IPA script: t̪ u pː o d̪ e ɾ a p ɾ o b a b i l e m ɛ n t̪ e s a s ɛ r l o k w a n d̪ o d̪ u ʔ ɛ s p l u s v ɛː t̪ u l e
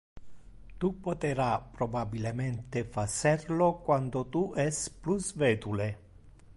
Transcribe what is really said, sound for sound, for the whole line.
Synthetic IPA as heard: t̪ u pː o t̪ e ɾ a p ɾ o b a b i l e m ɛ n t̪ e f a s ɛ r l o k w a n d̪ o t̪ u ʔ ɛ s p l u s v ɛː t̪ u l e